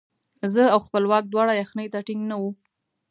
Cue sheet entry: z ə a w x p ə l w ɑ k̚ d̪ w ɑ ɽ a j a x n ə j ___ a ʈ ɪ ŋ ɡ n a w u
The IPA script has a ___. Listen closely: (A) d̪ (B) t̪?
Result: B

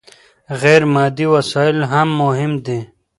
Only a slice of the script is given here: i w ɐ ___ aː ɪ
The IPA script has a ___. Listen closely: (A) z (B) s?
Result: B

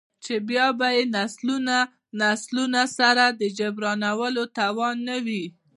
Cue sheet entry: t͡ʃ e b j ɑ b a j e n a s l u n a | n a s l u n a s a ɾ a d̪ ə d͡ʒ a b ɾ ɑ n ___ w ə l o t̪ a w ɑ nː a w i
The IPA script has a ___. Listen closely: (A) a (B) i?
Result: A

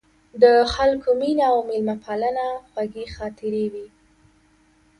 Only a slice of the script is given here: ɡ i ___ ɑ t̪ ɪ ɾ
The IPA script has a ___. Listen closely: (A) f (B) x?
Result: B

